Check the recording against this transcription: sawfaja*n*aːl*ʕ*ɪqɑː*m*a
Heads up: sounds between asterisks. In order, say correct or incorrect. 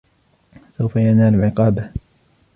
correct, correct, incorrect

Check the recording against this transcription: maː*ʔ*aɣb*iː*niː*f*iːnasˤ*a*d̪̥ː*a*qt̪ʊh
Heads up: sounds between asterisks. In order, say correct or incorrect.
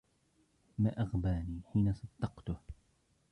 correct, incorrect, incorrect, incorrect, incorrect

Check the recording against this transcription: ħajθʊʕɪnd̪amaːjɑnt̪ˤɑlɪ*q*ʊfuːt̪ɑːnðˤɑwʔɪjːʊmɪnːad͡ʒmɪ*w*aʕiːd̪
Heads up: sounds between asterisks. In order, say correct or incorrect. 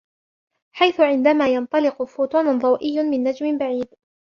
correct, incorrect

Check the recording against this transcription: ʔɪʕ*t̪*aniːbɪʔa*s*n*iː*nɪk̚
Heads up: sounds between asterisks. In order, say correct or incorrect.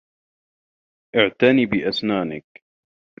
correct, correct, incorrect

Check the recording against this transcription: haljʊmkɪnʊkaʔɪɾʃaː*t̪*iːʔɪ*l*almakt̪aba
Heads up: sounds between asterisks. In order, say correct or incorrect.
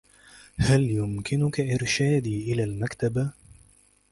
incorrect, correct

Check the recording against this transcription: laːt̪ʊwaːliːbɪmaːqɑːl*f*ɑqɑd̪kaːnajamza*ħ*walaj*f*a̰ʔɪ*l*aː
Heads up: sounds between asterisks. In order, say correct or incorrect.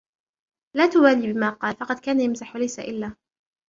correct, correct, incorrect, incorrect

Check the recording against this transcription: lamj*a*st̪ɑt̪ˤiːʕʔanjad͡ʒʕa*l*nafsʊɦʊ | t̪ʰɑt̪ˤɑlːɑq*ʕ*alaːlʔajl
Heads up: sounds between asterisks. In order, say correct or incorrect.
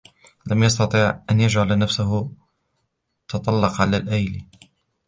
incorrect, correct, correct

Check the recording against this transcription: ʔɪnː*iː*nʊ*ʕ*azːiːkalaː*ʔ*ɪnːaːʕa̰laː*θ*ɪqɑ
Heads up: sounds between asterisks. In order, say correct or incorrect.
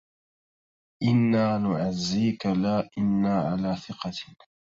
incorrect, correct, correct, correct

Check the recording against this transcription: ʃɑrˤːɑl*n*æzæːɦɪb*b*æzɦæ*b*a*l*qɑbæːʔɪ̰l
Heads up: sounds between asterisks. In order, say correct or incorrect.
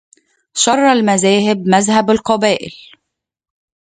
incorrect, incorrect, correct, correct

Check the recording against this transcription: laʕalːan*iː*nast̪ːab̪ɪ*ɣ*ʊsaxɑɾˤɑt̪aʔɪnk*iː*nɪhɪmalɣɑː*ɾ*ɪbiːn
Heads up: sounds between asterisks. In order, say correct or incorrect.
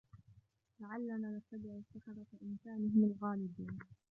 incorrect, incorrect, incorrect, incorrect

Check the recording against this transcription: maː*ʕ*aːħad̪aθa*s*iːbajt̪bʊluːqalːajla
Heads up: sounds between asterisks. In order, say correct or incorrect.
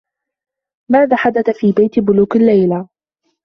incorrect, incorrect

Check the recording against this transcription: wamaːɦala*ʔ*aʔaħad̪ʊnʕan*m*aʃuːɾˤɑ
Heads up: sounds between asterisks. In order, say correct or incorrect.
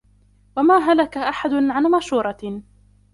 incorrect, correct

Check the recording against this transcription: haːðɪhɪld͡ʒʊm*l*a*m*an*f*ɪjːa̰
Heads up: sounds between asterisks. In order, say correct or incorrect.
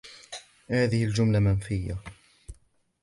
correct, correct, correct

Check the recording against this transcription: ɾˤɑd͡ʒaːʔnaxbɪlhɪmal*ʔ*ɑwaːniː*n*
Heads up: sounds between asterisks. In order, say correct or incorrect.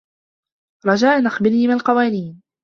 incorrect, correct

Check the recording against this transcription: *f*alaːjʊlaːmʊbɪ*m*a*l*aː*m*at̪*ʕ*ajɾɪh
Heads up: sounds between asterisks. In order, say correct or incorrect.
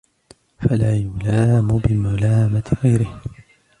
correct, correct, correct, correct, incorrect

